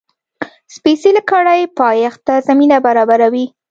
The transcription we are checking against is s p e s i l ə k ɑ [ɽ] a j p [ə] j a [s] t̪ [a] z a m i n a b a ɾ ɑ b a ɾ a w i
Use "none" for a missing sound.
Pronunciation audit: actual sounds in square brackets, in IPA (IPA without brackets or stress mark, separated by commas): ɽ, ɑ, x, a